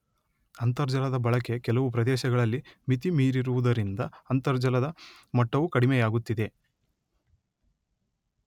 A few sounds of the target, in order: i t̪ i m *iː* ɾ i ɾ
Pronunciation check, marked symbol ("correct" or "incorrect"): correct